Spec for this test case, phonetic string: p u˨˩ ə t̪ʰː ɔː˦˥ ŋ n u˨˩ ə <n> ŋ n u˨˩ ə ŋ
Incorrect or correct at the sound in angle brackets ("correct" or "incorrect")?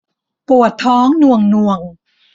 incorrect